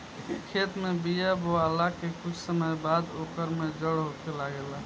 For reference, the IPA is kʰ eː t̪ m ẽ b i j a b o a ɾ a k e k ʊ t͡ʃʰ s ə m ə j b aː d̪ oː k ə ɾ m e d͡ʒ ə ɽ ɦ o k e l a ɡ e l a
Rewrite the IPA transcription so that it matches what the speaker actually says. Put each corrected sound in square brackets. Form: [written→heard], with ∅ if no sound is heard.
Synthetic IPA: kʰ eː t̪ m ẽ b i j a b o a [ɾ→l] a k e k ʊ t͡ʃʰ s ə m ə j b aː d̪ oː k ə ɾ m e d͡ʒ ə ɽ ɦ o k e l a ɡ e l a